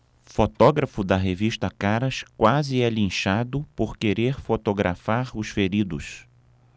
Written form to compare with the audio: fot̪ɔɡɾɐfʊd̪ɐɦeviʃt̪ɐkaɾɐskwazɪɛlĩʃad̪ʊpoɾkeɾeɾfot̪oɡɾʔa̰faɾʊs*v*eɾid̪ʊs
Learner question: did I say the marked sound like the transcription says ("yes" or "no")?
no